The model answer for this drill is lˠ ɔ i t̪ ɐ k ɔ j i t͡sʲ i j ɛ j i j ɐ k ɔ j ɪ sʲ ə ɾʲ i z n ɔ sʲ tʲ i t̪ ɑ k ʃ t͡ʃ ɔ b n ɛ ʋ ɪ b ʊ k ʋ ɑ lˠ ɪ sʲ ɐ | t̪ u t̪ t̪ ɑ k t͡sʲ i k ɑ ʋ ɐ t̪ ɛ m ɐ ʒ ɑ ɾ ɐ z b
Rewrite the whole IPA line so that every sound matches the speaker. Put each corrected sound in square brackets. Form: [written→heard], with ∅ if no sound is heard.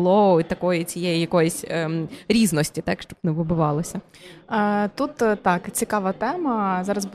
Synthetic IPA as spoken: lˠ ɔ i t̪ ɐ k ɔ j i t͡sʲ i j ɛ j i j ɐ k ɔ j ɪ sʲ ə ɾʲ i z n ɔ sʲ tʲ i t̪ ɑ k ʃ t͡ʃ ɔ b n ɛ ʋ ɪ b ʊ [k→∅] ʋ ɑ lˠ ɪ sʲ ɐ | t̪ u t̪ t̪ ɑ k t͡sʲ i k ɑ ʋ ɐ t̪ ɛ m ɐ [ʒ→z] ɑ ɾ ɐ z b